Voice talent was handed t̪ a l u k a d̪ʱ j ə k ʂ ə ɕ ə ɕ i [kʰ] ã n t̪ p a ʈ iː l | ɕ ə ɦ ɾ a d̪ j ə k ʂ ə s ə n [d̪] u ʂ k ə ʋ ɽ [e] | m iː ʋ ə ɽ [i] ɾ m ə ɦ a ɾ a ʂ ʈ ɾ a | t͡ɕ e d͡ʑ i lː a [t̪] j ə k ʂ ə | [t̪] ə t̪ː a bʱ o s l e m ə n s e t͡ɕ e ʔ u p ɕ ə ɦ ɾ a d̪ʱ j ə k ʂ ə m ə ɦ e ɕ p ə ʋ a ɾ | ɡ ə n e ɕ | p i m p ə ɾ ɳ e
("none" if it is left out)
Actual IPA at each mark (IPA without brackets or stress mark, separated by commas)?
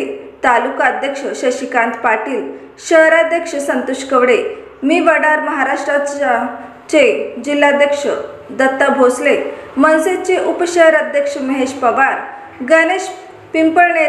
k, t̪, e, a, d̪, d̪